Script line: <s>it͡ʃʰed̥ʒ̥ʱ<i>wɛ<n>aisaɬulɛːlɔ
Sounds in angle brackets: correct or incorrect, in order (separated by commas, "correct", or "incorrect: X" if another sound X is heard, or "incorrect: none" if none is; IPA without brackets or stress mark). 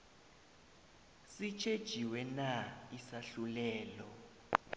correct, correct, correct